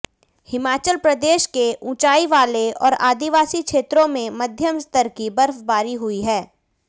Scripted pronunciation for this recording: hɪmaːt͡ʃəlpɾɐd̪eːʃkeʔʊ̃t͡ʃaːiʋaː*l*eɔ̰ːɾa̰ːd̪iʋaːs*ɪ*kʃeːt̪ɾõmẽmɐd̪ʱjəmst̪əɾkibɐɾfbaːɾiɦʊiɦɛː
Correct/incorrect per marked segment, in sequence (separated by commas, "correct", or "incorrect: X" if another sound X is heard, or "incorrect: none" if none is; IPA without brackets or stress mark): correct, incorrect: i